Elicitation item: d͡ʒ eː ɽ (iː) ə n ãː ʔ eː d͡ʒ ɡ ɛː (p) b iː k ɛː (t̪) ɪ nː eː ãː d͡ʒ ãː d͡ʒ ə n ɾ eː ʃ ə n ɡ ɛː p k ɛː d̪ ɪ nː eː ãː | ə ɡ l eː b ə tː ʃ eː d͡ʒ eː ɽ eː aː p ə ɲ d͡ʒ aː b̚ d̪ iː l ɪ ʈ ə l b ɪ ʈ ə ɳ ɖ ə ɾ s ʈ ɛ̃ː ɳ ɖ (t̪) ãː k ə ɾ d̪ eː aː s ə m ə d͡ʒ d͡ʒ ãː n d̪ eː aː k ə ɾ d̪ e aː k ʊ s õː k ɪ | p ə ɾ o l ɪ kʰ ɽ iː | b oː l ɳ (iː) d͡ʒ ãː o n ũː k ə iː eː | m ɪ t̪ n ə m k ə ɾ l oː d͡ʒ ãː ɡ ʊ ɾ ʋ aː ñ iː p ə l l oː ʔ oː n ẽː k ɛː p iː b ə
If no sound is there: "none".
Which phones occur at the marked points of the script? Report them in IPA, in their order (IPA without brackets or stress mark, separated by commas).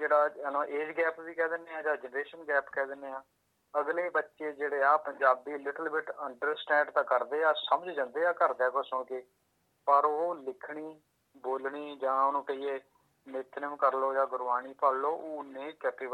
aː, p, d̪, t̪, iː